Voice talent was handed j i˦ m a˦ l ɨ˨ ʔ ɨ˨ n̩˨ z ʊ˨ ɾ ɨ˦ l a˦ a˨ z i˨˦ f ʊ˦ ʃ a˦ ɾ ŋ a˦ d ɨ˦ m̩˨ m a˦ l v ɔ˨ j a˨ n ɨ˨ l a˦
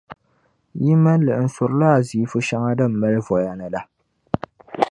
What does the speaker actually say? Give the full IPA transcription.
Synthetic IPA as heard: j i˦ m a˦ l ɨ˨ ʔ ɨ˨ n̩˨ s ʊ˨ ɾ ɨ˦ l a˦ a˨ z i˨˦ f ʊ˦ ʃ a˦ ŋ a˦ d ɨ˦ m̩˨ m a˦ l v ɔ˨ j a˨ n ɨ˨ l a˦

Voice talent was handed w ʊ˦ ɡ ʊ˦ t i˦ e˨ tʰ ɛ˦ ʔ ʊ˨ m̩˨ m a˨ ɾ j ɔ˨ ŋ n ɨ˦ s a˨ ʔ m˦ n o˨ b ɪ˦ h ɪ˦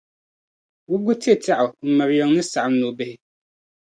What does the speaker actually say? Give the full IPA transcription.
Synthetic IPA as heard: w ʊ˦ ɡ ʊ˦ t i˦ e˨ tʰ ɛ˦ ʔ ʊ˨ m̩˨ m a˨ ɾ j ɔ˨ ŋ n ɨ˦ s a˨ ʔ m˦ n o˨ b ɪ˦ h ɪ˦

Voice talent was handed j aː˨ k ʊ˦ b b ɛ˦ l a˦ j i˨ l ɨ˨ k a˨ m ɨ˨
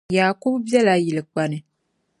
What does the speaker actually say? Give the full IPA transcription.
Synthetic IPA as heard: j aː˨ k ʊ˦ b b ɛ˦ l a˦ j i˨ l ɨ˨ k͡p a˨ n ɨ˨

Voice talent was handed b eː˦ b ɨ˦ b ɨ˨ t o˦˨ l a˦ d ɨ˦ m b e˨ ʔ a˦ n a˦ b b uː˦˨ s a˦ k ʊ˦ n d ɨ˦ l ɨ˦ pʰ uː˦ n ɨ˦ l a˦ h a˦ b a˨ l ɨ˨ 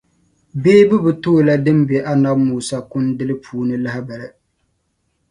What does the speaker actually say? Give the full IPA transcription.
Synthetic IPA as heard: b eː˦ b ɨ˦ b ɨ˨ t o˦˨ l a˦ d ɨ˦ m b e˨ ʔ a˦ n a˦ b m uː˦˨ s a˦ k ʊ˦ n d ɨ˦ l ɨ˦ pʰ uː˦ n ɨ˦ l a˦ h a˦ b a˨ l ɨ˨

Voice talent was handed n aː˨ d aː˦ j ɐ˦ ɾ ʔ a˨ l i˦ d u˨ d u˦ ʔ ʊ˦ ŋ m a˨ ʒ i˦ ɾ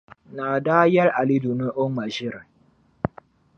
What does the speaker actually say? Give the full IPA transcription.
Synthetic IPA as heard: n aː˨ d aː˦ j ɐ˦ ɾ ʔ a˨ l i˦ d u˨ n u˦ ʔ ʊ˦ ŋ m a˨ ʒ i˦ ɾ

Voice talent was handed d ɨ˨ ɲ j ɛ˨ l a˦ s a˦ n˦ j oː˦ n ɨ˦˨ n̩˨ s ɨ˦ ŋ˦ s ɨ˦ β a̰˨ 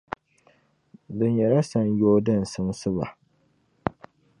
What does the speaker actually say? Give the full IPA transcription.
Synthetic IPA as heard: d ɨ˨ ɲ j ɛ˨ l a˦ s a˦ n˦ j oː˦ d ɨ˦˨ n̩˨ s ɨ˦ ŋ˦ s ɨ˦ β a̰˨

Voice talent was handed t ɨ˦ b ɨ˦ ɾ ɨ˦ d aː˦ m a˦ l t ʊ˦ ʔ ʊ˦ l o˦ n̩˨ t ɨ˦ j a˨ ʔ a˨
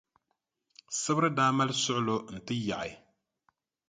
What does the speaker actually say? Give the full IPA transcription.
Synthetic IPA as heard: s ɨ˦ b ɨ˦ ɾ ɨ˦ d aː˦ m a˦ l s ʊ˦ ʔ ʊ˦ l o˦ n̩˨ t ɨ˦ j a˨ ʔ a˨

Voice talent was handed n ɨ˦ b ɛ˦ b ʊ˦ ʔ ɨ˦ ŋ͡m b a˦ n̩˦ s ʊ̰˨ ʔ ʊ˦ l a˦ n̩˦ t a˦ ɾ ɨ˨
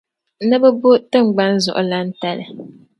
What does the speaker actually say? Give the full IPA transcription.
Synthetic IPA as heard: n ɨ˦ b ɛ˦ b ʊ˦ t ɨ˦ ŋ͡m ɡ͡b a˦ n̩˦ z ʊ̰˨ ʔ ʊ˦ l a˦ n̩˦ t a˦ l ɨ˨

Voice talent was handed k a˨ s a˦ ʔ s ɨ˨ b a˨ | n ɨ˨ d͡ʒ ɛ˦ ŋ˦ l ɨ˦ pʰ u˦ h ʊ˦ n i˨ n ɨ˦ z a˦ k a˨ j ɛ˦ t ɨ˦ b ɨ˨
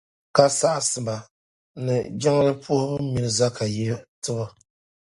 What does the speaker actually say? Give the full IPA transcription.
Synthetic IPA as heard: k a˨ s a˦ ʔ s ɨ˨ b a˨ | n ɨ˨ d͡ʒ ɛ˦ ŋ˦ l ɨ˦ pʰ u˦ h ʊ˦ m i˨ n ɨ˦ z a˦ k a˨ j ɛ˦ t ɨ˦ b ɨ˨

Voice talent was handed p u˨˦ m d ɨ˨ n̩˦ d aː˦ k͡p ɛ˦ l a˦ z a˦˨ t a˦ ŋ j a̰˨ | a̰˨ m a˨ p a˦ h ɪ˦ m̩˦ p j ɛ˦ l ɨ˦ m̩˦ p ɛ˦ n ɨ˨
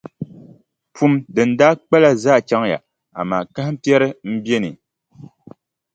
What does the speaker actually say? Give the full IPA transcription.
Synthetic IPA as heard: p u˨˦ m d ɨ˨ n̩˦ d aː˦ k͡p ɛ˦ l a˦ z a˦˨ t͡ʃ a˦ ŋ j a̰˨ | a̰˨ m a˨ k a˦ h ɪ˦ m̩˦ p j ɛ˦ ɾ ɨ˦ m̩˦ b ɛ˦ n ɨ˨

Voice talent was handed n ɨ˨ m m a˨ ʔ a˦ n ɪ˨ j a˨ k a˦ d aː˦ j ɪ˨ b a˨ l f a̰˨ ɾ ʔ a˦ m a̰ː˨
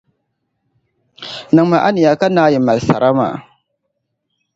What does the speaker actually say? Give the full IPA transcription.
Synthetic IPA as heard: n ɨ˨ ŋ m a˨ ʔ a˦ n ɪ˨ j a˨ k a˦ n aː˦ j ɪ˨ m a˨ l s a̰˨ ɾ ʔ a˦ m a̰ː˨

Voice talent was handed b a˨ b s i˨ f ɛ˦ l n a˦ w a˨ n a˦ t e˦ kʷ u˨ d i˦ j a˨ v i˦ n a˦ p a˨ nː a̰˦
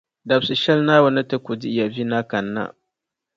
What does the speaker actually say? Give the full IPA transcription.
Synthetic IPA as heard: d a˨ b s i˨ ʃ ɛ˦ l n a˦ w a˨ n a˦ t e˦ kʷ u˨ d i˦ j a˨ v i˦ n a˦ k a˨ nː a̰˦

